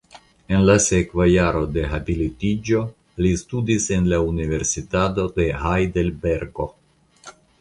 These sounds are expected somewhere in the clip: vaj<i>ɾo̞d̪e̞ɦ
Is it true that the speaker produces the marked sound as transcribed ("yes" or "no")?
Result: no